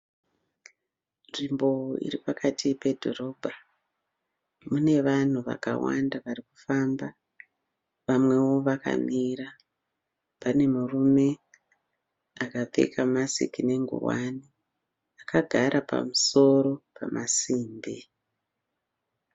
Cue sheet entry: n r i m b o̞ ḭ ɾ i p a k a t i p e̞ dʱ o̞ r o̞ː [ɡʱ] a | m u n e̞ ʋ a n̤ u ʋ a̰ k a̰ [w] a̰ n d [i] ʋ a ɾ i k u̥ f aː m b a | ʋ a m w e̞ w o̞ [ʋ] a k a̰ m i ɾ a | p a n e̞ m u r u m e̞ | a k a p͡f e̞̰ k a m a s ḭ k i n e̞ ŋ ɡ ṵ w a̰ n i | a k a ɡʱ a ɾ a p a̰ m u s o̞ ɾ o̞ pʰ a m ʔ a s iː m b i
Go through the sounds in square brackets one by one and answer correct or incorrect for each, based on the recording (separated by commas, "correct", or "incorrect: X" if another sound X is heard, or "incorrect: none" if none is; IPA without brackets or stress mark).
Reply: incorrect: bʱ, correct, incorrect: a, correct